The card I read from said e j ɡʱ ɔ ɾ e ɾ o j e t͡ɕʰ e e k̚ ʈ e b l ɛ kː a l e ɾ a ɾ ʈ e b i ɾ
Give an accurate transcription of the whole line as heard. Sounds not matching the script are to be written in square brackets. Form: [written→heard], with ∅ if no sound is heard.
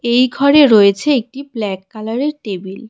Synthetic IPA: e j ɡʱ ɔ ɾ e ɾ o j e t͡ɕʰ e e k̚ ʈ [e→i] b l ɛ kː a l [e→a] ɾ [a→e] ɾ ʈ e b i [ɾ→l]